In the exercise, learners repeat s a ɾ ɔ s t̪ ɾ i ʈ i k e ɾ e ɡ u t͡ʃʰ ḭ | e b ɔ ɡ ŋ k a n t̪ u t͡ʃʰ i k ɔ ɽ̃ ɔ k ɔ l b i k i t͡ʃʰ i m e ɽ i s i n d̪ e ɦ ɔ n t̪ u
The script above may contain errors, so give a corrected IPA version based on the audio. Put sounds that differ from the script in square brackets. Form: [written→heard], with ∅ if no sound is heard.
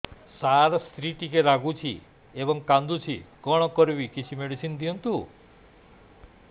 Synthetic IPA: s a ɾ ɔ s t̪ ɾ i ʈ i k e ɾ [e→a] ɡ u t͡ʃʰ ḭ | e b ɔ [ɡ→∅] ŋ k a n [t̪→d̪] u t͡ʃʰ i k ɔ ɽ̃ ɔ k ɔ [l→ɾ] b i k i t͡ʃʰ i m e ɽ i s i n d̪ [e→i] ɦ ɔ n t̪ u